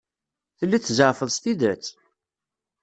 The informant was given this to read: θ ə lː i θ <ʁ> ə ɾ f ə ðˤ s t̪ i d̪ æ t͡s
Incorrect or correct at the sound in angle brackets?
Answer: incorrect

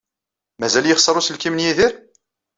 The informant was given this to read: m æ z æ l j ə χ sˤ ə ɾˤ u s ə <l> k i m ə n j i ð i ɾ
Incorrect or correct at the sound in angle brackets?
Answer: correct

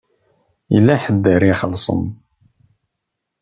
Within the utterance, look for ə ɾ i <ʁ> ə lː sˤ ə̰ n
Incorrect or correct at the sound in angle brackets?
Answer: incorrect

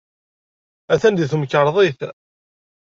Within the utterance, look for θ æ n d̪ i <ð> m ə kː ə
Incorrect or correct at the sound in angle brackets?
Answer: incorrect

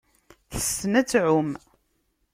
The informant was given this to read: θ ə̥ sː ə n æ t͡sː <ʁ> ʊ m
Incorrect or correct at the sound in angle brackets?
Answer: incorrect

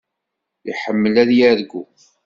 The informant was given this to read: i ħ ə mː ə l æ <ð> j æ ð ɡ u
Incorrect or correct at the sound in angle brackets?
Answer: correct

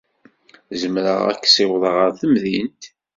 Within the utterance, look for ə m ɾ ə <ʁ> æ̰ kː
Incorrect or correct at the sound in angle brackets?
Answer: correct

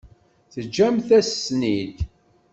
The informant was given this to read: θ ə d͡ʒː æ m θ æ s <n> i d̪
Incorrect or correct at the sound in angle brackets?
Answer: correct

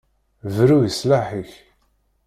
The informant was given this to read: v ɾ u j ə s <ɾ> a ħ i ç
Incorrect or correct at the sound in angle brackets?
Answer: incorrect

